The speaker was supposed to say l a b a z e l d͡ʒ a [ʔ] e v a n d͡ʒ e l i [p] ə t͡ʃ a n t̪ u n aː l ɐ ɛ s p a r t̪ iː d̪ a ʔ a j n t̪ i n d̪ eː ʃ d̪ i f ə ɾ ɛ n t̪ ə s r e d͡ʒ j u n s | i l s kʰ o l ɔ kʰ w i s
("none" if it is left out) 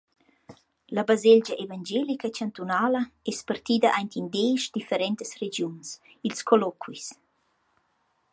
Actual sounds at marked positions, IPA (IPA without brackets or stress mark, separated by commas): ʔ, k